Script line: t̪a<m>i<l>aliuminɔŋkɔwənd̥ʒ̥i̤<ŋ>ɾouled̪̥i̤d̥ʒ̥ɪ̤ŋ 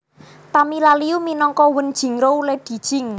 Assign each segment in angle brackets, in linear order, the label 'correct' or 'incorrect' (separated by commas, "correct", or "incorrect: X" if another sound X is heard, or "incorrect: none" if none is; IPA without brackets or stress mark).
correct, correct, correct